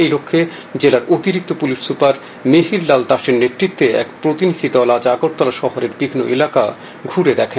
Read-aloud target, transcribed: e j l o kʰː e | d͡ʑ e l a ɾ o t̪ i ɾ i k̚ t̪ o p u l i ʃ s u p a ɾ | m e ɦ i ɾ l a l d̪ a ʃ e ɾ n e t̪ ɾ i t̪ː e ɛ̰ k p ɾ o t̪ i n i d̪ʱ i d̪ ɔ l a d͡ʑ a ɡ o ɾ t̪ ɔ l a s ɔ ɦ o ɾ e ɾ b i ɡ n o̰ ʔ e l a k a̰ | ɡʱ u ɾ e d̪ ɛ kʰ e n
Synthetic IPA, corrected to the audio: e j l o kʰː e | d͡ʑ e l a ɾ o t̪ i ɾ i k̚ t̪ o p u l i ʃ s u p a ɾ | m e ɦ i ɾ l a l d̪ a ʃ e ɾ n e t̪ ɾ i t̪ː e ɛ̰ k p ɾ o t̪ i n i d̪ʱ i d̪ ɔ l a d͡ʑ a ɡ o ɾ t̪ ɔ l a ʃ ɔ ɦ o ɾ e ɾ b i ɡ n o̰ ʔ e l a k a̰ | ɡʱ u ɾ e d̪ ɛ kʰ e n